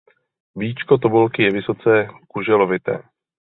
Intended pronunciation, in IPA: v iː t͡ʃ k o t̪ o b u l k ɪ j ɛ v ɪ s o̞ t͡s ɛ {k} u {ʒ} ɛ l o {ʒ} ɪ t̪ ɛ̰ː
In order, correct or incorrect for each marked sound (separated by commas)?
correct, correct, incorrect